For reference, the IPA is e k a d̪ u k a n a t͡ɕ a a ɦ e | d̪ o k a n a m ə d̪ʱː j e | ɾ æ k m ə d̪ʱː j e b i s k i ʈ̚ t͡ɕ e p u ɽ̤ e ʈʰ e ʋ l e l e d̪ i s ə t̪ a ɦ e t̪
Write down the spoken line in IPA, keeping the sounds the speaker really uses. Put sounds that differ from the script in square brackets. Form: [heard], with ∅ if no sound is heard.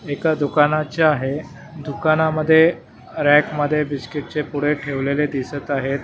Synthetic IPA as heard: e k a d̪ u k a n a t͡ɕ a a ɦ e | d̪ [u] k a n a m ə d̪ʱː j e | ɾ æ k m ə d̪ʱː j e b i s k i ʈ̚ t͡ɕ e p u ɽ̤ e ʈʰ e ʋ l e l e d̪ i s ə t̪ a ɦ e t̪